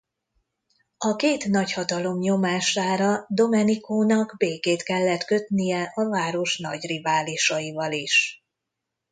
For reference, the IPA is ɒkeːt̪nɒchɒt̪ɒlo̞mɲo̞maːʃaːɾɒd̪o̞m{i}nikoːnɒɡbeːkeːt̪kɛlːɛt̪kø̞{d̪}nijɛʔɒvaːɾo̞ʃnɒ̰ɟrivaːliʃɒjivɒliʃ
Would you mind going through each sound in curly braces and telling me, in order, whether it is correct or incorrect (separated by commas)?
incorrect, incorrect